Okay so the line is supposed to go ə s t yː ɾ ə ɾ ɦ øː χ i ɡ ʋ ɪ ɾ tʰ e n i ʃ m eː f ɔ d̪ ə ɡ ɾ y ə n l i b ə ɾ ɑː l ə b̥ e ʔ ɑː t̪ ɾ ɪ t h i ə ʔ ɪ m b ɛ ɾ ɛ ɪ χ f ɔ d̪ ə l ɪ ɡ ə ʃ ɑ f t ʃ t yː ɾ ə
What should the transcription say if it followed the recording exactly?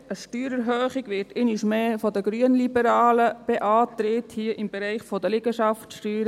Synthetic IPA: ə ʃ t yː ɾ ə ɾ ɦ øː χ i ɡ ʋ ɪ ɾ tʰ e n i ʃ m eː f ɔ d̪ ə ɡ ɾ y ə n l i b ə ɾ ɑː l ə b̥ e ʔ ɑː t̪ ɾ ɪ t h i ə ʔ ɪ m b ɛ ɾ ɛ ɪ χ f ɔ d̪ ə l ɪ ɡ ə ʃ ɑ f t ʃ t yː ɾ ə